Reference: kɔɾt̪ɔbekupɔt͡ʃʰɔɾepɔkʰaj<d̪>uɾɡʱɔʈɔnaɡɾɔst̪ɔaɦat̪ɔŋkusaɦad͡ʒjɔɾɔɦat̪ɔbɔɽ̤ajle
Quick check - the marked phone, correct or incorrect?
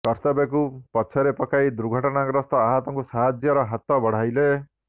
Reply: correct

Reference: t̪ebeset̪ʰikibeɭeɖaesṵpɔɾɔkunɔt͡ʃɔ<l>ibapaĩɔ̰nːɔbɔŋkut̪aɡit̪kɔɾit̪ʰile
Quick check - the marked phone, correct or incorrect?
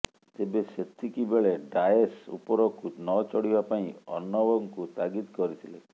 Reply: incorrect: ɽ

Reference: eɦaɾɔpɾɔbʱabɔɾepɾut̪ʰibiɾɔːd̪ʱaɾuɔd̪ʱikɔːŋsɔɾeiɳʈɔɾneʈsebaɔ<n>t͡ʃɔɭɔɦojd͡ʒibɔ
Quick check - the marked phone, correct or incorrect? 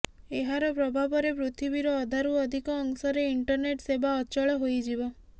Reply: incorrect: none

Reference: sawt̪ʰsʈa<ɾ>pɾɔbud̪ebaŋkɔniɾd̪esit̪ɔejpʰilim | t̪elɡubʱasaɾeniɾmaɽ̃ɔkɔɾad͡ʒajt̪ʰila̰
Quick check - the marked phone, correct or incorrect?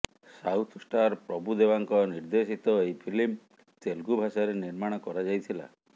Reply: correct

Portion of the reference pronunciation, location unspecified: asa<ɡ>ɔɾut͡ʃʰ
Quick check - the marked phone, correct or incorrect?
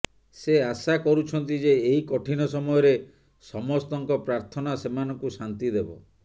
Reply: incorrect: k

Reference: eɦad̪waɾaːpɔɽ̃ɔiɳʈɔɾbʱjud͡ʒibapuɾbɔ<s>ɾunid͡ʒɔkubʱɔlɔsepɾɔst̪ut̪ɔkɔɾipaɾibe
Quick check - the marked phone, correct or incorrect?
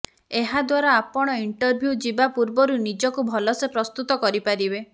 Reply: incorrect: none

